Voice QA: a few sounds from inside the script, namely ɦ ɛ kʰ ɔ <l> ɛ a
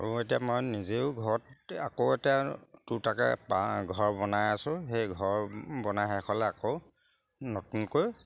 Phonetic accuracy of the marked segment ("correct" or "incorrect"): correct